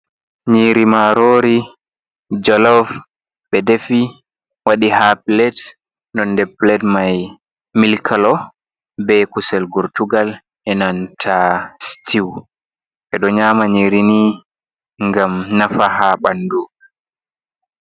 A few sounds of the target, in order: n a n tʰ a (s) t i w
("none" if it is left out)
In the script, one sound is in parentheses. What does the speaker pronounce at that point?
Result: s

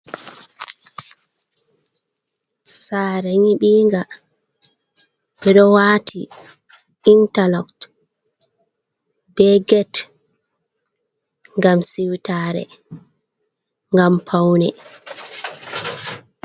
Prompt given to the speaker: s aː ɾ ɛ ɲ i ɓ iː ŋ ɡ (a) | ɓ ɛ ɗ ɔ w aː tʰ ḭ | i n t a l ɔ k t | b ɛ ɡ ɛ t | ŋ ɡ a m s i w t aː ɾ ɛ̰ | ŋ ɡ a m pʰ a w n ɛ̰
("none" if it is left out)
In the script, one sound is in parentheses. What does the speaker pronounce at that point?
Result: a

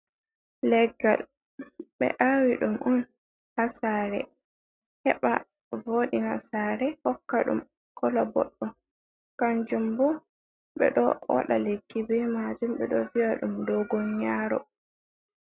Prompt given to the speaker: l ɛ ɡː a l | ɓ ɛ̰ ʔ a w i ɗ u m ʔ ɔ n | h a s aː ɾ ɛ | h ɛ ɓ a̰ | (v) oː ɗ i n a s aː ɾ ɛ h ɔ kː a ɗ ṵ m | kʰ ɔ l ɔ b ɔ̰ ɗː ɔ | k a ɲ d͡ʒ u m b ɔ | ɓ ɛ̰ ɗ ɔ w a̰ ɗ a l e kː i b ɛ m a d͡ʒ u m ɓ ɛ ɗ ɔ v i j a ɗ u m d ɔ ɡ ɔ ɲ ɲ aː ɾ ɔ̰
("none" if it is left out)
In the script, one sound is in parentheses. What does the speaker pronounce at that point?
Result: v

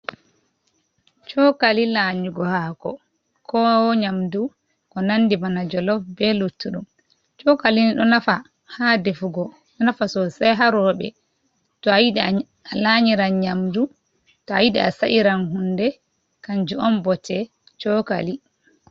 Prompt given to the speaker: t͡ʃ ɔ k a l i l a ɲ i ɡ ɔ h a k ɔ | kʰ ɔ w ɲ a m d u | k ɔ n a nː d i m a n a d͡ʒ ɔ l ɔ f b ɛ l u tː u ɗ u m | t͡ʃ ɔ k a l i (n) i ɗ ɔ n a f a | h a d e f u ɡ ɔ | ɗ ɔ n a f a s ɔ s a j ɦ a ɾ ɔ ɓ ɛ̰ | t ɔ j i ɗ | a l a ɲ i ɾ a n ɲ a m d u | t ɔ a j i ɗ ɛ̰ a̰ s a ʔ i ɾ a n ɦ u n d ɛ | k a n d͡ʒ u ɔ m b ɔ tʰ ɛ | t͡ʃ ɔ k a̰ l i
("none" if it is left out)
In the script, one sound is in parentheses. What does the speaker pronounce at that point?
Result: n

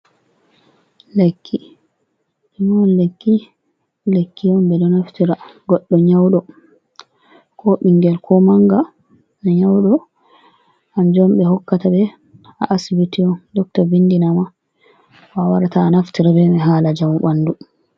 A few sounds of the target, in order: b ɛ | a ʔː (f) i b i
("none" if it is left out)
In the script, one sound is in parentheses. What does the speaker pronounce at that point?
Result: s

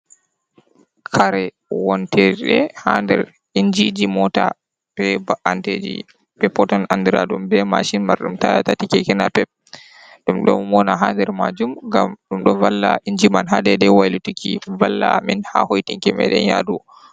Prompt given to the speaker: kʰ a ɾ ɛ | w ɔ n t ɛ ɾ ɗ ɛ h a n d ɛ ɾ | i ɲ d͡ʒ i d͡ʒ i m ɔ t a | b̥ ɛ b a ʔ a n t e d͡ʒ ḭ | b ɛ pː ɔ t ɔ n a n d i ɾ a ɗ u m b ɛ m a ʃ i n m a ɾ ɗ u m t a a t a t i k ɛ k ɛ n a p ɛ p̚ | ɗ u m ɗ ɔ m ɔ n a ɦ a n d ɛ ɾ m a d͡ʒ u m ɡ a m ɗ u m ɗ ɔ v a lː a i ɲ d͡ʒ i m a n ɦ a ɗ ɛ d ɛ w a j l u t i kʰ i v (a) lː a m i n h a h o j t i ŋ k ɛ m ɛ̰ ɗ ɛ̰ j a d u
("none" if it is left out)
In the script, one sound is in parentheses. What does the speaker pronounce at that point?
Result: a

